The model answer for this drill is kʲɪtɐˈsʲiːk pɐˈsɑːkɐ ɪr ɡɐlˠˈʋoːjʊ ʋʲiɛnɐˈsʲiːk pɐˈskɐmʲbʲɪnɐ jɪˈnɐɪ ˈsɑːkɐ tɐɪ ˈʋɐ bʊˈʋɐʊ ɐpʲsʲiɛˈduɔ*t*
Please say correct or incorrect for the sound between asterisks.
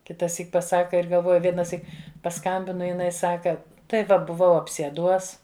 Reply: incorrect